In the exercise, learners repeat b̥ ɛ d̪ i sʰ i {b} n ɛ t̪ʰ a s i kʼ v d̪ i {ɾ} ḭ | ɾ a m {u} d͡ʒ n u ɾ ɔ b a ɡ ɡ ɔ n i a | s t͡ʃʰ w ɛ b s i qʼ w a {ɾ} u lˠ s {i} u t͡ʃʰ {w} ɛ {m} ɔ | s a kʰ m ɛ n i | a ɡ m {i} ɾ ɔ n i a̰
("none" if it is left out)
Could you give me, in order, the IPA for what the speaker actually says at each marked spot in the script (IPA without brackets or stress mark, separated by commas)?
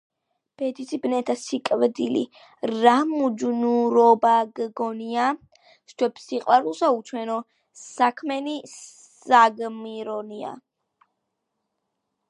b, l, u, ɾ, a, w, n, i